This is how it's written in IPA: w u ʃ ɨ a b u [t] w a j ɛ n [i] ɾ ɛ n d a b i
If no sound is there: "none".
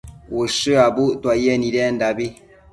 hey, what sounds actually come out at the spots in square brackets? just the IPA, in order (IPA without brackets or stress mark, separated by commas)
t, i